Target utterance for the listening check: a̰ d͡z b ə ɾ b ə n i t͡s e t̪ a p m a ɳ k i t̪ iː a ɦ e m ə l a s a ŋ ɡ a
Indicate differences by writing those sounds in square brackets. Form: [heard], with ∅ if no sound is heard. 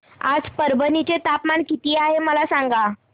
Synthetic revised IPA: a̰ d͡z [p] ə ɾ b ə n i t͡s e t̪ a p m a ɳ k i t̪ iː a ɦ e m ə l a s a ŋ ɡ a

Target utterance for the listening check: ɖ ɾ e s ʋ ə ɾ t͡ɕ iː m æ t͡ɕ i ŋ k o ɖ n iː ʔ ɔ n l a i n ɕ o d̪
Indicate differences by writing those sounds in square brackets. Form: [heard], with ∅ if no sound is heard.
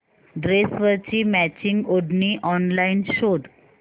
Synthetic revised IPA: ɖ ɾ e s ʋ ə ɾ t͡ɕ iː m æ t͡ɕ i ŋ [ɡ] o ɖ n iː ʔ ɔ n l a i n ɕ o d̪

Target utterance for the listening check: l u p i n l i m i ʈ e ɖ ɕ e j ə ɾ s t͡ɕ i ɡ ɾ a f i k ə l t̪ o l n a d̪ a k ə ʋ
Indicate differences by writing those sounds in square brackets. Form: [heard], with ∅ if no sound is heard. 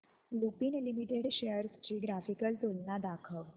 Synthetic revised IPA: l u p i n l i m i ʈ e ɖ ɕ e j ə ɾ s t͡ɕ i ɡ ɾ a f i k ə l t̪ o l n a d̪ a [kʰ] ə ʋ

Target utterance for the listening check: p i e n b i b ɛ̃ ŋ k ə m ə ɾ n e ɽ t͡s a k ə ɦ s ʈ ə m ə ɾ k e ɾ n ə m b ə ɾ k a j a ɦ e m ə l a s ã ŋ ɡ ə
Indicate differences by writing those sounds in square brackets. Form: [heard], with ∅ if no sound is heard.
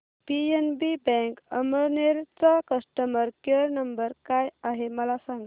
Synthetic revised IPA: p i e n b i b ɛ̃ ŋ k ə m ə ɾ n e [ɾ] t͡s a k ə [∅] s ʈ ə m ə ɾ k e ɾ n ə m b ə ɾ k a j a ɦ e m ə l a s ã ŋ ɡ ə

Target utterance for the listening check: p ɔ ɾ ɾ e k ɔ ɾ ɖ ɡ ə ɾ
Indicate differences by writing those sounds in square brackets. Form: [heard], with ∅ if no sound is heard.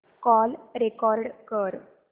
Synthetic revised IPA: [k] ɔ [l] ɾ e k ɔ ɾ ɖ [k] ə ɾ

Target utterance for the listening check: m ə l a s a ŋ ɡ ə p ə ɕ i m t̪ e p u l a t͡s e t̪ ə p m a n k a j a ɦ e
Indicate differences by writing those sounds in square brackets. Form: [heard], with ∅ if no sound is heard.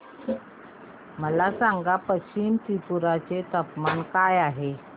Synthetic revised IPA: m ə l a s a ŋ ɡ [a] p ə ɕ i m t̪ [i] p u [ɾ] a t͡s e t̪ ə p m a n k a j a ɦ e

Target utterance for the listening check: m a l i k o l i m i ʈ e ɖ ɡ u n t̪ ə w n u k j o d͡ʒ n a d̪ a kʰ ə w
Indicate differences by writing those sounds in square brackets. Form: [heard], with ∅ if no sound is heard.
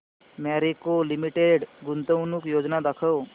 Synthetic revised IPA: m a [ɾ] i k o l i m i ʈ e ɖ ɡ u n t̪ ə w n u k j o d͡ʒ n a d̪ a kʰ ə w

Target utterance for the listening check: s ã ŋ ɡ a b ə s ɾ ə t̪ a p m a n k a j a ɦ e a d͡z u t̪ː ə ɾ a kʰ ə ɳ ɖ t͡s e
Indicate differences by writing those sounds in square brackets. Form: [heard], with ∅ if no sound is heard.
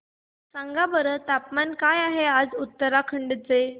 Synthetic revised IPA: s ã ŋ ɡ a b ə [∅] ɾ ə t̪ a p m a n k a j a ɦ e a d͡z u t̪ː ə ɾ a kʰ ə ɳ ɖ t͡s e

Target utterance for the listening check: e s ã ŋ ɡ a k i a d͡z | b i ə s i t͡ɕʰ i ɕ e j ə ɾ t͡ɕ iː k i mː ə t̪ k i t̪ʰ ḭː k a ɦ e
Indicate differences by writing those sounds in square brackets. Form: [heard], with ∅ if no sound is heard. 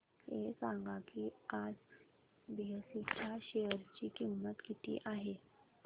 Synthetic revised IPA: e s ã ŋ ɡ a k i a d͡z | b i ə s i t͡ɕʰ [a] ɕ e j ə ɾ t͡ɕ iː k i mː ə t̪ k i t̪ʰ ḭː [ʔ] a ɦ e

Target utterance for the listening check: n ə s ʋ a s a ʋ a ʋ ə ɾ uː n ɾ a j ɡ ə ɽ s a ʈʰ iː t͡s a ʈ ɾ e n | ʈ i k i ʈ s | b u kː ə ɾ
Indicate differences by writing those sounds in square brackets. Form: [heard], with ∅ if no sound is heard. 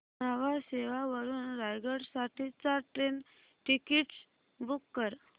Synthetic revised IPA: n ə [∅] ʋ a s [e] ʋ a ʋ ə ɾ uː n ɾ a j ɡ ə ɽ s a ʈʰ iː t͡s a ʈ ɾ e n | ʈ i k i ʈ s | b u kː ə ɾ

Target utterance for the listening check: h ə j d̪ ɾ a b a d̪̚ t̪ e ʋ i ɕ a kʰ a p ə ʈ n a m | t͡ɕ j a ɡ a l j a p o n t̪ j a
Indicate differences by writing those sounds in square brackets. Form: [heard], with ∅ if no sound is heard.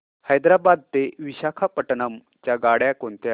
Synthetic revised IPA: h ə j d̪ ɾ a b a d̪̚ t̪ e ʋ i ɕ a kʰ a p ə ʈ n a m | t͡ɕ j a ɡ a [ɽ] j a [k] o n t̪ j a

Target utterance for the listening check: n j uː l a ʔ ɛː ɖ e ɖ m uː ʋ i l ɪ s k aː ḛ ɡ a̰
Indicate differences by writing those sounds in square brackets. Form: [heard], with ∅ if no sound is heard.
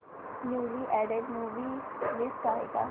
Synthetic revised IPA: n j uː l [i] ʔ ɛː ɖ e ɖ m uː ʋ i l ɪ s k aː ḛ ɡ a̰

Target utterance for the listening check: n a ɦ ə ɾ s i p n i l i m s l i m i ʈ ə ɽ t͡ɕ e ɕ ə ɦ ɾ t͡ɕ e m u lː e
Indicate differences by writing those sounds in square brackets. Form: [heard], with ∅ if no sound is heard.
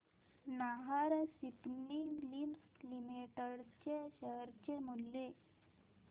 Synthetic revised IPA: n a ɦ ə ɾ s i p n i l i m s l i m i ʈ ə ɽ t͡ɕ e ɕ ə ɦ ɾ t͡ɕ e m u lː e

